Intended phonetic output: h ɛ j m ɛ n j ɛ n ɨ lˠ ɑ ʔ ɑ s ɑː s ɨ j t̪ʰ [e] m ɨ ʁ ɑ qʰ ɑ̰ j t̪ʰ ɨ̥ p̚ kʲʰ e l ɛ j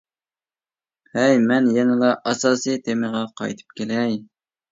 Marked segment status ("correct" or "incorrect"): correct